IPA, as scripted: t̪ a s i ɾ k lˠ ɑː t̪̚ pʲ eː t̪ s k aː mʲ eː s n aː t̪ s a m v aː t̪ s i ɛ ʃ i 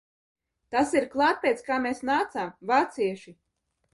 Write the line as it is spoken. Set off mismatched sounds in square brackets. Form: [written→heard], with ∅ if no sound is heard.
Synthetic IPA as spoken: t̪ a s i ɾ k lˠ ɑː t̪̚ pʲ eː t̪ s k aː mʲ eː s n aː t̪ s a m v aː t̪ s i ɛ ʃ i